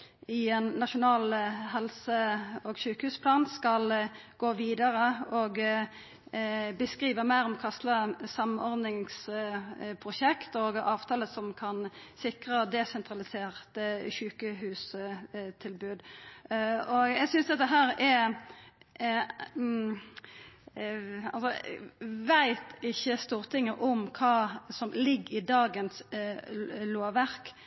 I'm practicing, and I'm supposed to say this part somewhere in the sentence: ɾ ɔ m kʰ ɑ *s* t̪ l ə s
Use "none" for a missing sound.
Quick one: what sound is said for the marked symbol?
s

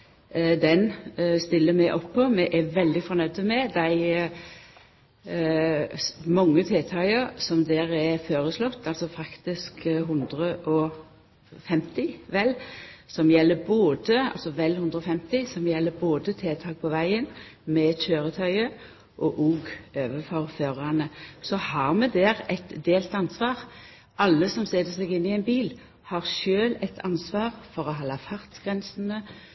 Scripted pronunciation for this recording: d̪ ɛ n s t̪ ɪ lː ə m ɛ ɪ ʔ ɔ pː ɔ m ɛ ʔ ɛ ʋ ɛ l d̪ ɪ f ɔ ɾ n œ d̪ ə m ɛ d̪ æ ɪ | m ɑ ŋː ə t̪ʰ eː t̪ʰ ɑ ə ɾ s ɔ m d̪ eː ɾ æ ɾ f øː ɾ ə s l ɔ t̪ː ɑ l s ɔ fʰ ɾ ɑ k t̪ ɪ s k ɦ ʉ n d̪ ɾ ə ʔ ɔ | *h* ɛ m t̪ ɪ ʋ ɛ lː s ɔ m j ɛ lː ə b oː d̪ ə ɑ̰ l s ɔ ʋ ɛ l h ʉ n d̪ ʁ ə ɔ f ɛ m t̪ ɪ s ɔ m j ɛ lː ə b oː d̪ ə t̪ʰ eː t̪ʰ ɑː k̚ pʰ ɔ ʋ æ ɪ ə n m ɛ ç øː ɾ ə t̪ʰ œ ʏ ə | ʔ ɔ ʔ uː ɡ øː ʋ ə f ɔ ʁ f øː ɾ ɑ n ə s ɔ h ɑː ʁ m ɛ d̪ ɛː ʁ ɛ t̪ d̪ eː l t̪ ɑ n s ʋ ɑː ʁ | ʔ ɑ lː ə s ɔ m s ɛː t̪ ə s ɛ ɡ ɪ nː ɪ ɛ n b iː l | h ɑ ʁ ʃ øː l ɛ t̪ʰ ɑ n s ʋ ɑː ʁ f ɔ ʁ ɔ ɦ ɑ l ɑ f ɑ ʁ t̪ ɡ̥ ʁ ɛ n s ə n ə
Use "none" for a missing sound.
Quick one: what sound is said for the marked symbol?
f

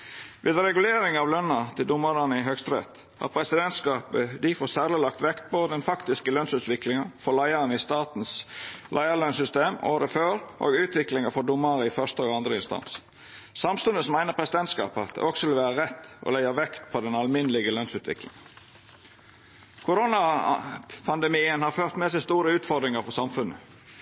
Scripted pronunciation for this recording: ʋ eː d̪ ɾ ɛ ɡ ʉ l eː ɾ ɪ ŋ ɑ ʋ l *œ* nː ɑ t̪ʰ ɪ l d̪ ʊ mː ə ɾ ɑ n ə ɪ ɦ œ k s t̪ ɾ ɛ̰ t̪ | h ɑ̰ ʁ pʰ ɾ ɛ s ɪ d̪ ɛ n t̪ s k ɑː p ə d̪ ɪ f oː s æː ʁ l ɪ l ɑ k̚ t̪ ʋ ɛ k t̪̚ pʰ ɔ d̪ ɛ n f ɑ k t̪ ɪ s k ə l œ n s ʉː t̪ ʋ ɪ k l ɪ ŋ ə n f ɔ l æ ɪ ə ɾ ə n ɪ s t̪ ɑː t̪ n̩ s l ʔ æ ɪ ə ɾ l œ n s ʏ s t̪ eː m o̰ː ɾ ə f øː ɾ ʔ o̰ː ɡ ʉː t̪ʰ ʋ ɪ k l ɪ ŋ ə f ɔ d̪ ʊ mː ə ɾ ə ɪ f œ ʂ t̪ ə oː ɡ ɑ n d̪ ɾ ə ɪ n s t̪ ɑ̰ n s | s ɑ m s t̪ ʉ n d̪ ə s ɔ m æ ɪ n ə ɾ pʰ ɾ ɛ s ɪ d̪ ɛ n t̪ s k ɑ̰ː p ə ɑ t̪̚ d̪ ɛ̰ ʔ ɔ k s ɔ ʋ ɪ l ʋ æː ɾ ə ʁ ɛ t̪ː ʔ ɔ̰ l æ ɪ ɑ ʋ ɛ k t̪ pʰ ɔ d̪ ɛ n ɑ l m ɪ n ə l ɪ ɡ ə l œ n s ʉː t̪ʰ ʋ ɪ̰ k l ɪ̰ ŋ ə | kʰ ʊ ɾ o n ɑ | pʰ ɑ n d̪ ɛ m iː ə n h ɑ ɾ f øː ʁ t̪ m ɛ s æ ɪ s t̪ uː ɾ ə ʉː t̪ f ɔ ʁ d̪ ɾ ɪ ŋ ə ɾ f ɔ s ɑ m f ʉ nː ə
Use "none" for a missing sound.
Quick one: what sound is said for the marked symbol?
œ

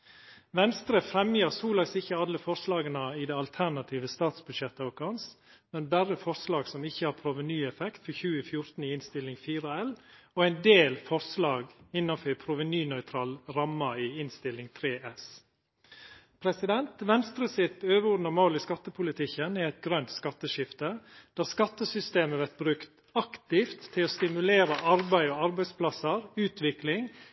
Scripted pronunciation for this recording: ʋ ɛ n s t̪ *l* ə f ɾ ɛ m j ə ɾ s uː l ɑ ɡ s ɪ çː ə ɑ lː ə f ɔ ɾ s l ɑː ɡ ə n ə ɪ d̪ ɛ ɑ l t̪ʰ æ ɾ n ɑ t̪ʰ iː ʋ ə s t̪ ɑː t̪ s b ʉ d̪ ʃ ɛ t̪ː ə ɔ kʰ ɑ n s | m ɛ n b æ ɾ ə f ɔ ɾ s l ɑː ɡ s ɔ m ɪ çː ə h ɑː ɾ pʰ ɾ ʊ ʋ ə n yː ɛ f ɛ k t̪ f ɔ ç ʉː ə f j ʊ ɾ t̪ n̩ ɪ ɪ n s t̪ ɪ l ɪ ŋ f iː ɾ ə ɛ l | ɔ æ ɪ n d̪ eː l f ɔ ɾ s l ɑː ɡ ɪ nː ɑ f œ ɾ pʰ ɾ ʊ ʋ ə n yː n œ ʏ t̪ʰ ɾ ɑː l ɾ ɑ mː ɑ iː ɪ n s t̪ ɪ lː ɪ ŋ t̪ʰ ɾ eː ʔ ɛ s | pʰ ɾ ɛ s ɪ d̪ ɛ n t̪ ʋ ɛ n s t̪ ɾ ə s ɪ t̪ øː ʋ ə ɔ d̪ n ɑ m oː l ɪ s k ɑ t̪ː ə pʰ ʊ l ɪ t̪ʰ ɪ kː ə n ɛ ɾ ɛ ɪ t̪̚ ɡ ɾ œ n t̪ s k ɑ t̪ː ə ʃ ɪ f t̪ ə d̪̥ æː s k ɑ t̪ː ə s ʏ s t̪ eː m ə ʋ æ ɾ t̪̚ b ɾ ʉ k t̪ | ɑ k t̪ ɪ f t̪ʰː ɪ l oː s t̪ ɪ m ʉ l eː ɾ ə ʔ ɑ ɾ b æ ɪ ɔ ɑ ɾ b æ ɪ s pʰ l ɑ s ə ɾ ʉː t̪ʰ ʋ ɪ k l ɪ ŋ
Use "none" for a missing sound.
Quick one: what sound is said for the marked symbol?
ɾ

